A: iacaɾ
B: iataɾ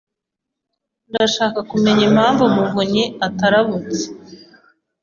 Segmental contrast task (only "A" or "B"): B